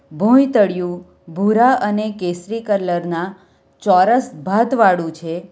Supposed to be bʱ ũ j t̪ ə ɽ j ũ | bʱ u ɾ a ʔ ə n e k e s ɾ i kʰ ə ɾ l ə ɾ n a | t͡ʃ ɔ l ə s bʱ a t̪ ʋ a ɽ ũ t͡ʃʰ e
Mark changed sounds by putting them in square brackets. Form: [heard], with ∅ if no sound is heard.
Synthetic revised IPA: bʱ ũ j t̪ ə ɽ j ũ | bʱ u ɾ a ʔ ə n e k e s ɾ i [k] ə ɾ l ə ɾ n a | t͡ʃ ɔ [ɾ] ə s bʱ a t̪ ʋ a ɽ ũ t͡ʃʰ e